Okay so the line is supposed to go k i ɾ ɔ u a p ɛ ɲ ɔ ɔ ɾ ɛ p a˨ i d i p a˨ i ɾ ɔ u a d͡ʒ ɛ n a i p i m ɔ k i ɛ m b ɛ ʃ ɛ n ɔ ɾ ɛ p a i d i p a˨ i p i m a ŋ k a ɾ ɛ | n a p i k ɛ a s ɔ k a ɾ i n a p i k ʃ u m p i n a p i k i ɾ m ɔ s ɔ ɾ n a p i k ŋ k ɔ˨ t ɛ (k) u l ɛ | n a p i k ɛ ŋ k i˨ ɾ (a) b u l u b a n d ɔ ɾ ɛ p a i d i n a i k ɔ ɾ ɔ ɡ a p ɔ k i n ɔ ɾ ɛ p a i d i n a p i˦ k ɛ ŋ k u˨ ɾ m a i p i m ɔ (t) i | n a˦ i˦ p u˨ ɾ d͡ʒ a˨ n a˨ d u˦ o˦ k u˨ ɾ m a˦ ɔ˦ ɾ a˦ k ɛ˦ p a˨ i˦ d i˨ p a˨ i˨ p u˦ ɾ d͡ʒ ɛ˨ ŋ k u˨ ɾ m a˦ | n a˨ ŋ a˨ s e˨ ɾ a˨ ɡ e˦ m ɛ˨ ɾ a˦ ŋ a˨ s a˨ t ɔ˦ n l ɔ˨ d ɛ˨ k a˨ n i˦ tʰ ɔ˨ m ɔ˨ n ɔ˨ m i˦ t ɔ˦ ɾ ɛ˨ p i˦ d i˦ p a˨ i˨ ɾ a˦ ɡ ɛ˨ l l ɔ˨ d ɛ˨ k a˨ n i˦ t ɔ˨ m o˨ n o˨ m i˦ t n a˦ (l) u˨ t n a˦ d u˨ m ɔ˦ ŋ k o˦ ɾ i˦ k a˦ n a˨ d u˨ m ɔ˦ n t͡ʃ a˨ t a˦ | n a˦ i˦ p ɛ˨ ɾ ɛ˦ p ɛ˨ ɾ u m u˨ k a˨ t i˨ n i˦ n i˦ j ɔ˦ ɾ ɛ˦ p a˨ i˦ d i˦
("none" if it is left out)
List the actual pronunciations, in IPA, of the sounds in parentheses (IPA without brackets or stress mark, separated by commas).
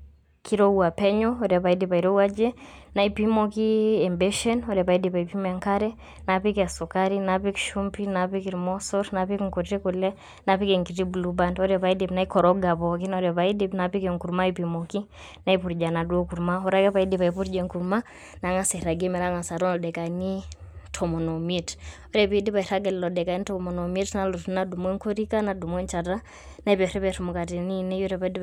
k, i, k, l